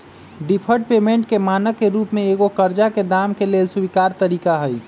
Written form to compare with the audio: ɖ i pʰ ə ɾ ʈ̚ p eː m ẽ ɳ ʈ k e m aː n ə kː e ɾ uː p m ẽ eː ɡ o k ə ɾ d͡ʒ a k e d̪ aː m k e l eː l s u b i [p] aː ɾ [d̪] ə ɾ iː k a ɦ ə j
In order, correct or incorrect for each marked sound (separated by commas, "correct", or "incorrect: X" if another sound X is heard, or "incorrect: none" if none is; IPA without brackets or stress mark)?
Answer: incorrect: k, incorrect: t̪